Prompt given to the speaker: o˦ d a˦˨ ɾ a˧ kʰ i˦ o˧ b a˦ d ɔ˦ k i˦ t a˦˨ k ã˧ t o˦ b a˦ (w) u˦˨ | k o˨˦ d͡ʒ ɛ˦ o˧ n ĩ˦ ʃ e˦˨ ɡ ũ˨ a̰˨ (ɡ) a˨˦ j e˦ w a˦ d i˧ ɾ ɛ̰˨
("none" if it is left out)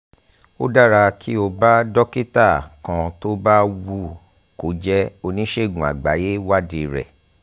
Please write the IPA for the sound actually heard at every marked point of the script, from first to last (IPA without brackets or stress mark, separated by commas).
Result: w, ɡ͡b